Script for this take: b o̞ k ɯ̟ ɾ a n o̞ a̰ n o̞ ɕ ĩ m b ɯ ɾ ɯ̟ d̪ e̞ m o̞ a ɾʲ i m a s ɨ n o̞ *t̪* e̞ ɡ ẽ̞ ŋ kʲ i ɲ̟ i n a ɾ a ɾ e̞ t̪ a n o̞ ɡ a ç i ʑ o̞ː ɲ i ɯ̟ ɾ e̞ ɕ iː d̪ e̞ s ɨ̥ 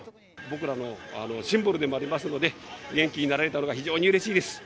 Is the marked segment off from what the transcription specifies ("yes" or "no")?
yes